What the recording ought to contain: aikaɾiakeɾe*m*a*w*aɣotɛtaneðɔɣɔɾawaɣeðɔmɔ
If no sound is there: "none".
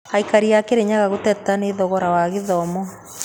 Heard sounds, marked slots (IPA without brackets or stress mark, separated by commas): ɲ, ɣ